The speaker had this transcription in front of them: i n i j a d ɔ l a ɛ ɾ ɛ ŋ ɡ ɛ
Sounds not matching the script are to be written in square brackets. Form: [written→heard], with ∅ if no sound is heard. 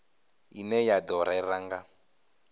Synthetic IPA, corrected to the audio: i n [i→ɛ] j a d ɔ [l→ɾ] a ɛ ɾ [ɛ→a] ŋ ɡ [ɛ→a]